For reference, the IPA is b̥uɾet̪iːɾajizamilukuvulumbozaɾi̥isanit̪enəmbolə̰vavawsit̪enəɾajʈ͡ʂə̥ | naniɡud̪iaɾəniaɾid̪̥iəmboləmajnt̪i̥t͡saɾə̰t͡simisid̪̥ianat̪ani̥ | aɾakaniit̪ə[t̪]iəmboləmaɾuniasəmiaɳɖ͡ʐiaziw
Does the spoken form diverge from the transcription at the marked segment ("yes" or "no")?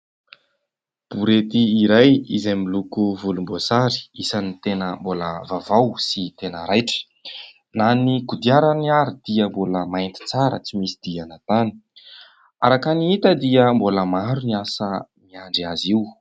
yes